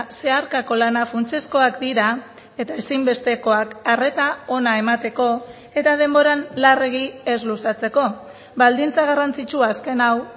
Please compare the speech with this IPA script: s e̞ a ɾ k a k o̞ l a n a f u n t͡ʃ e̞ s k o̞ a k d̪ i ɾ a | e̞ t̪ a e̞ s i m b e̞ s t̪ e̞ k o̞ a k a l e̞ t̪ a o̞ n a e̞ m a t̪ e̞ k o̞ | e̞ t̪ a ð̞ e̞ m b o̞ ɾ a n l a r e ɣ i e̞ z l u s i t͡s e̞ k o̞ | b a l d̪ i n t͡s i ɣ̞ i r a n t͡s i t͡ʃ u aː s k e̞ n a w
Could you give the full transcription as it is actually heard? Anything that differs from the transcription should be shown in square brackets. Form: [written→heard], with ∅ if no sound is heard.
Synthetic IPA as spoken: s e̞ a ɾ k a k o̞ l a n a f u n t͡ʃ e̞ s k o̞ a k d̪ i ɾ a | e̞ t̪ a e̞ s i m b e̞ s t̪ e̞ k o̞ a k a [l→r] e̞ t̪ a o̞ n a e̞ m a t̪ e̞ k o̞ | e̞ t̪ a ð̞ e̞ m b o̞ ɾ a n l a r e ɣ i e̞ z l u s [i→a] t͡s e̞ k o̞ | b a l d̪ i n t͡s [i→a] ɣ̞ [i→a] r a n t͡s i t͡ʃ u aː s k e̞ n a w